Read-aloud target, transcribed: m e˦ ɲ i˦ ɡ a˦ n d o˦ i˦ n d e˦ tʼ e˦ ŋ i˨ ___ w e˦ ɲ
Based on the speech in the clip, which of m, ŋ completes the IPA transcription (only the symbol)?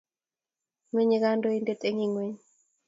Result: ŋ